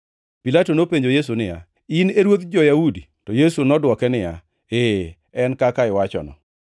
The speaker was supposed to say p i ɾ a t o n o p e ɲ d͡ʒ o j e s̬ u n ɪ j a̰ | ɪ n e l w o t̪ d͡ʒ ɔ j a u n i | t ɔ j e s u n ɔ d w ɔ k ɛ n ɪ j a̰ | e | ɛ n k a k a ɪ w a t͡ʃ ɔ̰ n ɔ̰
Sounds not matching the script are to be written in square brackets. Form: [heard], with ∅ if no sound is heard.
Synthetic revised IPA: p i [l] a t o n o p e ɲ d͡ʒ o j e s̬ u n ɪ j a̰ | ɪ n e [ɾ] w o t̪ d͡ʒ ɔ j a u [d] i | t ɔ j e s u n ɔ d w ɔ k ɛ n ɪ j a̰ | e | ɛ n k a k a ɪ w a t͡ʃ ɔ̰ n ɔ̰